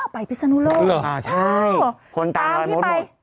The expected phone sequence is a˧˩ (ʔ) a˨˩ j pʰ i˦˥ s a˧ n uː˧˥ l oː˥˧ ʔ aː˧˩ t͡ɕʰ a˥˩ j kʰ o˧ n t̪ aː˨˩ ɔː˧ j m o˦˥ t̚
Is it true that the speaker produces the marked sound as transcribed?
no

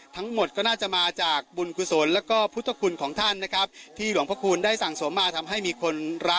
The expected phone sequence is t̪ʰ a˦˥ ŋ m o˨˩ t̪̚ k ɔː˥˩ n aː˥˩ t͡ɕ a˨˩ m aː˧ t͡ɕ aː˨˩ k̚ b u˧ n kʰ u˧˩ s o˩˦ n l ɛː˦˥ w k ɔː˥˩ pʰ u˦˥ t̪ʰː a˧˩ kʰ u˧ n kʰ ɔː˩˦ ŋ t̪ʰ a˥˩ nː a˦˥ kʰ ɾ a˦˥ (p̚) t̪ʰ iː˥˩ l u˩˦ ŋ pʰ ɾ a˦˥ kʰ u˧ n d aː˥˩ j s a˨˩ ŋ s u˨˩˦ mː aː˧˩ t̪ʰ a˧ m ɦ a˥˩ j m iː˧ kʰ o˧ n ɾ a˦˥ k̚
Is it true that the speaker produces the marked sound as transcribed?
yes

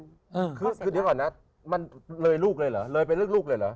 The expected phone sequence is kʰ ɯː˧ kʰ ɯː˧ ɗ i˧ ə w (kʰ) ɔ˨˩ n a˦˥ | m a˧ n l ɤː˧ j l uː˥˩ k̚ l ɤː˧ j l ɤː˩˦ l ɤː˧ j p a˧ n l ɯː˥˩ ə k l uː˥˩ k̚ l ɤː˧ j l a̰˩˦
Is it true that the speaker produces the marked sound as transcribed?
no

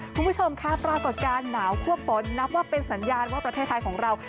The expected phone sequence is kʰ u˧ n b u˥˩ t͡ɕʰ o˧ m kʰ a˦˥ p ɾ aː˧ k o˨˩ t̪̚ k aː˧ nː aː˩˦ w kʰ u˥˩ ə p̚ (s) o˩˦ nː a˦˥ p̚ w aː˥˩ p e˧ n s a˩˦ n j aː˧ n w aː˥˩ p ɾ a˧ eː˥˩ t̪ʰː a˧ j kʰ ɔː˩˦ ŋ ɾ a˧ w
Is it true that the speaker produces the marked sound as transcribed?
no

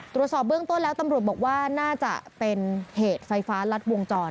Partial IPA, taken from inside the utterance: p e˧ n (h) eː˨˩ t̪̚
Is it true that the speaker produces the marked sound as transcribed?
yes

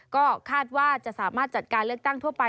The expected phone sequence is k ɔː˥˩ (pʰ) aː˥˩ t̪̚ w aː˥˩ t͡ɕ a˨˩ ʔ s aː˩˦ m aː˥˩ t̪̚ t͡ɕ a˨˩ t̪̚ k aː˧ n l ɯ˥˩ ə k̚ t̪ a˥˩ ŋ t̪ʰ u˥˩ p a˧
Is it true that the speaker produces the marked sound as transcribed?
no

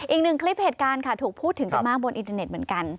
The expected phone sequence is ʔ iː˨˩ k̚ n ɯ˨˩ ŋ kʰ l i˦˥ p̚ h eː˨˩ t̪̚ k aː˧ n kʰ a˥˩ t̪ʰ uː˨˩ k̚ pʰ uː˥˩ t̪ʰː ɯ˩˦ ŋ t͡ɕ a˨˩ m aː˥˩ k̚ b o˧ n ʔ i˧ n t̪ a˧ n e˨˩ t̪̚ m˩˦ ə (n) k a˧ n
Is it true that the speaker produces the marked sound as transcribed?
yes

